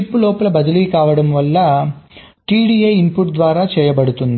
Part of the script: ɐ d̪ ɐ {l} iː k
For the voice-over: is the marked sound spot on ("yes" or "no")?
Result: yes